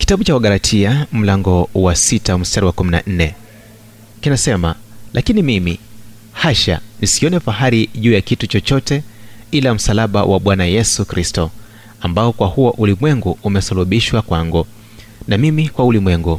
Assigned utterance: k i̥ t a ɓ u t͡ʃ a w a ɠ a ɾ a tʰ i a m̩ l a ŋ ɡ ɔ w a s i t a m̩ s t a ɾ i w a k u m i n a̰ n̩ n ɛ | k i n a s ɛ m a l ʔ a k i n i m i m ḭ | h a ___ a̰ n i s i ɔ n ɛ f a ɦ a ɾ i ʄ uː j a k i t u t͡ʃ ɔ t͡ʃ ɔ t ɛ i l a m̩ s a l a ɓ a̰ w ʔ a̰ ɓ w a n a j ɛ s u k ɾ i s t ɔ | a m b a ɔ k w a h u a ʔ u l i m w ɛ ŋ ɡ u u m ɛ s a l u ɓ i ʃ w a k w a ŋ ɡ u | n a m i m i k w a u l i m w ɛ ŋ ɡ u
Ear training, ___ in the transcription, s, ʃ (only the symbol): ʃ